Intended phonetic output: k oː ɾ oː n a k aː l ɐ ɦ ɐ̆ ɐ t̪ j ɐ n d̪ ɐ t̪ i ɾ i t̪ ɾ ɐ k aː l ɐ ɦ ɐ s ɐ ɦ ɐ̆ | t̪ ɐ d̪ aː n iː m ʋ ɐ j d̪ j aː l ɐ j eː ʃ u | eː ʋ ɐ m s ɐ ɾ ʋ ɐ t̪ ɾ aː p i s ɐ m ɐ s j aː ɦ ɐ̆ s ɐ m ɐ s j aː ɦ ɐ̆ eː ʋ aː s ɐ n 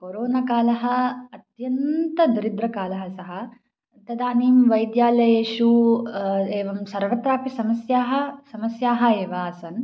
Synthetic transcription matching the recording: k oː ɾ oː n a k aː l ɐ ɦ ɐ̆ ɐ t̪ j ɐ n t̪ ɐ d̪ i ɾ i d̪ ɾ ɐ k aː l ɐ ɦ ɐ s ɐ ɦ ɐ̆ | t̪ ɐ d̪ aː n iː m ʋ ɐ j d̪ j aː l ɐ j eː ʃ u | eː ʋ ɐ m s ɐ ɾ ʋ ɐ t̪ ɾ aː p i s ɐ m ɐ s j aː ɦ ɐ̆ s ɐ m ɐ s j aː ɦ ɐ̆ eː ʋ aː s ɐ n

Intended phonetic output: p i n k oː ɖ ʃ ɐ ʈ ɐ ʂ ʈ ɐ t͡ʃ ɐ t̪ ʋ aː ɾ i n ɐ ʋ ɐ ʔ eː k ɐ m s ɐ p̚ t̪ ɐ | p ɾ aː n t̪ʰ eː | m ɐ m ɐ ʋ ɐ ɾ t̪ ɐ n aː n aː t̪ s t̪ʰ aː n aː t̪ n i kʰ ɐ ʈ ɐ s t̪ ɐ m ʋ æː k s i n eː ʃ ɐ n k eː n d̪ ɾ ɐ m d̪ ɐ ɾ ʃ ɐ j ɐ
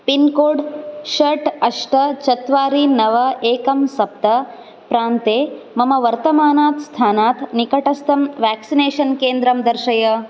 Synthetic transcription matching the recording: p i n k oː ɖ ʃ ɐ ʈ ɐ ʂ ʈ ɐ t͡ʃ ɐ t̪ ʋ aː ɾ i n ɐ ʋ ɐ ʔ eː k ɐ m s ɐ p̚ t̪ ɐ | p ɾ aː n t̪ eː | m ɐ m ɐ ʋ ɐ ɾ t̪ ɐ m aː n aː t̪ s t̪ʰ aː n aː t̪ n i k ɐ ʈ ɐ s t̪ ɐ m ʋ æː k s i n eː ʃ ɐ n k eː n d̪ ɾ ɐ m d̪ ɐ ɾ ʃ ɐ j ɐ

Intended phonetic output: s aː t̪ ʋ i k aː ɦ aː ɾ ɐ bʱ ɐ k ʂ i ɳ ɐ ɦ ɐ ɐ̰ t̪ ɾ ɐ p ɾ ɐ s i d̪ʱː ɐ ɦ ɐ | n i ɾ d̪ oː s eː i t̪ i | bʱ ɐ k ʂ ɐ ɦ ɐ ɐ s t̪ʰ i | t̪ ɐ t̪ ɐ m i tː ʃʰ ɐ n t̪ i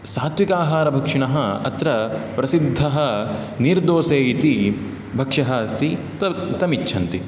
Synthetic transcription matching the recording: s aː t̪ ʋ i k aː ɦ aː ɾ ɐ bʱ ɐ k ʂ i ɳ ɐ ɦ ɐ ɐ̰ t̪ ɾ ɐ p ɾ ɐ s i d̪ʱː ɐ ɦ ɐ | n i ɾ d̪ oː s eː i t̪ i | bʱ ɐ k ʂ ɐ ɦ ɐ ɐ s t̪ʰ i | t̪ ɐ t̪ ɐ m i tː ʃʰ ɐ n t̪ i

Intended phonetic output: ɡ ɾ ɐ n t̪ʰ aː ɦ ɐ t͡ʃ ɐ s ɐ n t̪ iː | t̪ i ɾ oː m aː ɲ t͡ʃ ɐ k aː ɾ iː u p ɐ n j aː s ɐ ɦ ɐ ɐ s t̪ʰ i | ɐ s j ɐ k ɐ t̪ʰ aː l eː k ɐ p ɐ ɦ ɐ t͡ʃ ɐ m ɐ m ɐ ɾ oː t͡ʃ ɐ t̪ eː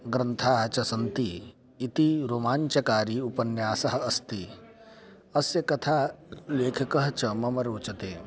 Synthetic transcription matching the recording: ɡ ɾ ɐ n t̪ʰ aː ɦ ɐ t͡ʃ ɐ s ɐ n t̪ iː | t̪ i ɾ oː m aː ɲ t͡ʃ ɐ k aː ɾ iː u p ɐ n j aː s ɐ ɦ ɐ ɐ s t̪ i | ɐ s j ɐ k ɐ t̪ʰ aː l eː kʰ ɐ k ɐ ɦ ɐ t͡ʃ ɐ m ɐ m ɐ ɾ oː t͡ʃ ɐ t̪ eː

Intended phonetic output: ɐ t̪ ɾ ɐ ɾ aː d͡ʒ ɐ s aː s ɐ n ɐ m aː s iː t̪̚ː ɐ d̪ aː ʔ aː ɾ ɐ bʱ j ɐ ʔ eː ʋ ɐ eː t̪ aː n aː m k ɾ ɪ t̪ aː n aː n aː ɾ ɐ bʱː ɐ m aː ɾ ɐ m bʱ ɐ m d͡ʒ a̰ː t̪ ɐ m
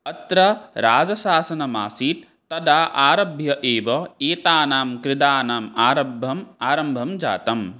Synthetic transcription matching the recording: ɐ t̪ ɾ ɐ ɾ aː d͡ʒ ɐ s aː s ɐ n ɐ m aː s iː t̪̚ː ɐ d̪ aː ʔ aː ɾ ɐ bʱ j ɐ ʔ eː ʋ ɐ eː t̪ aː n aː m k ɾ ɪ d̪ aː n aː m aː ɾ ɐ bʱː ɐ m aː ɾ ɐ m bʱ ɐ m d͡ʒ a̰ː t̪ ɐ m

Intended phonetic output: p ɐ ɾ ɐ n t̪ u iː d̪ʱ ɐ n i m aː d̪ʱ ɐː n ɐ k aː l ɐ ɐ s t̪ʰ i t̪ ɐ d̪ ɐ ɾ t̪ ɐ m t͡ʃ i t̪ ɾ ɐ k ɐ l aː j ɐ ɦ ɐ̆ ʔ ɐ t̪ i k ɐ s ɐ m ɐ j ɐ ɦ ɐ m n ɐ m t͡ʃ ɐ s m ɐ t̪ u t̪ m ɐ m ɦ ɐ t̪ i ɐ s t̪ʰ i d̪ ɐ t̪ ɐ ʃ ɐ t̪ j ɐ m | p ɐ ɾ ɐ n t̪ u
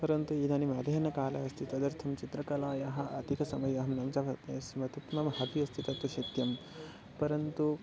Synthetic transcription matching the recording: p ɐ ɾ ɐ n t̪ u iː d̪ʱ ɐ n i m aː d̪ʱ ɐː n ɐ k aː l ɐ ɐ s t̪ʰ i t̪ ɐ d̪ ɐ ɾ t̪ʰ ɐ m t͡ʃ i t̪ ɾ ɐ k ɐ l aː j ɐ ɦ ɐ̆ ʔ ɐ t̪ i k ɐ s ɐ m ɐ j ɐ ɦ ɐ m n ɐ m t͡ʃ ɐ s m ɐ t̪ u t̪ m ɐ m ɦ ɐ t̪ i ɐ s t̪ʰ i t̪ ɐ t̪ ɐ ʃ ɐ t̪ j ɐ m | p ɐ ɾ ɐ n t̪ u

